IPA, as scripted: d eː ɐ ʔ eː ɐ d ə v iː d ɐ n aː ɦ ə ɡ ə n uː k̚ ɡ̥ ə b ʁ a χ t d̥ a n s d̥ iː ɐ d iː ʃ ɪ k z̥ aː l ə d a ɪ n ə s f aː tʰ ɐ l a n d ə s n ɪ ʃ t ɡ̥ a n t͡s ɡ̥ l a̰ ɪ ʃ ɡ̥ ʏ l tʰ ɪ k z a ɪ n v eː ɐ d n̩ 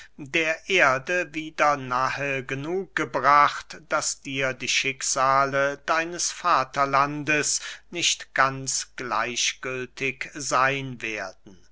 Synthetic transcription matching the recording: d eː ɐ ʔ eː ɐ d ə v iː d ɐ n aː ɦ ə ɡ ə n uː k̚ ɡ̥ ə b ʁ a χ t d̥ a s d̥ iː ɐ d iː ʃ ɪ k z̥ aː l ə d a ɪ n ə s f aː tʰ ɐ l a n d ə s n ɪ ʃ t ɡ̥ a n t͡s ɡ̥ l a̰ ɪ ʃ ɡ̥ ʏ l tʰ ɪ k z a ɪ n v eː ɐ d n̩

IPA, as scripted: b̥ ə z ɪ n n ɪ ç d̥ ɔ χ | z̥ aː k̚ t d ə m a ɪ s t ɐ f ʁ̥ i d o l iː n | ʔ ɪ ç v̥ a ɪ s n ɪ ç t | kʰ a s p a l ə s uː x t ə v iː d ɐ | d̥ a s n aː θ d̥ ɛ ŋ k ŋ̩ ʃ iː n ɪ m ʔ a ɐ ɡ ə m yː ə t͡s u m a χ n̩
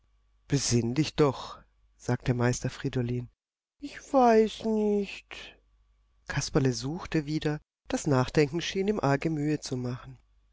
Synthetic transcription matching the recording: b̥ ə z ɪ n d ɪ ç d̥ ɔ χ | z̥ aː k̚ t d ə m a ɪ s t ɐ f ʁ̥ i d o l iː n | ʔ ɪ ç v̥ a ɪ s n ɪ ç t | kʰ a s p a l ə z uː x t ə v iː d ɐ | d̥ a s n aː χ d̥ ɛ ŋ k ŋ̩ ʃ iː n ɪ m ʔ a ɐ ɡ ə m yː ə t͡s u m a χ n̩

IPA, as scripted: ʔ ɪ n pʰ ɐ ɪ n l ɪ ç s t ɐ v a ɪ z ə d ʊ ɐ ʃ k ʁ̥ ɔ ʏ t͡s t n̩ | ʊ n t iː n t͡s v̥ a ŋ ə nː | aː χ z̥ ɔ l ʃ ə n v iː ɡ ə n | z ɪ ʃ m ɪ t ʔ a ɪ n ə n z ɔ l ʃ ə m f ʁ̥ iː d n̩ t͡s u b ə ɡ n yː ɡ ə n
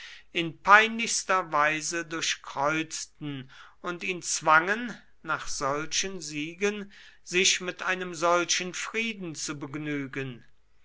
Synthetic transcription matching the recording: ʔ ɪ n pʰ a ɪ n l ɪ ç s t ɐ v a ɪ z ə d ʊ ɐ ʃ k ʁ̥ ɔ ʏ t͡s t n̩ | ʊ n t iː n t͡s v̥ a ŋ ə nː | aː χ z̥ ɔ l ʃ ə n z iː ɡ ə n | z ɪ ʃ m ɪ t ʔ a ɪ n ə m z ɔ l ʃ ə n f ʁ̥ iː d n̩ t͡s u b ə ɡ n yː ɡ ə n

